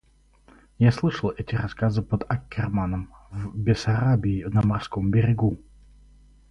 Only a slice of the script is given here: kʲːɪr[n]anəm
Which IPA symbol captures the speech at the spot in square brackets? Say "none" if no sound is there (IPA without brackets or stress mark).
m